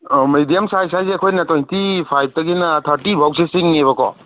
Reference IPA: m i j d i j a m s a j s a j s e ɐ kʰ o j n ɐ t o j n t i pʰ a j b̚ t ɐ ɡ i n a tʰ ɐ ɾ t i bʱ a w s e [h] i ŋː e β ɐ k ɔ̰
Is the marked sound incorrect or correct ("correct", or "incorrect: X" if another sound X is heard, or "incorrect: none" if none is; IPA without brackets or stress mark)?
incorrect: s